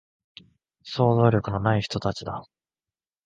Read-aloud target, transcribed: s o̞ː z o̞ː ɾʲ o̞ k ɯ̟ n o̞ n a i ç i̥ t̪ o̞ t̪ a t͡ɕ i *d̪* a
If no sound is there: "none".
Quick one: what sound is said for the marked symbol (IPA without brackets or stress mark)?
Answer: d̪